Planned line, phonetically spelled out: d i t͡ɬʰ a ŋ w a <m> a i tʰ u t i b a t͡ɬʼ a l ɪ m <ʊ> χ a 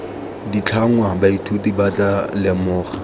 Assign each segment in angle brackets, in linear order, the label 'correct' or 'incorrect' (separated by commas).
incorrect, incorrect